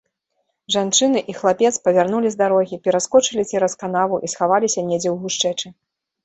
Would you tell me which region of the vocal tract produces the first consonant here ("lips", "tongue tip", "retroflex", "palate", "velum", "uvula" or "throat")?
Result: retroflex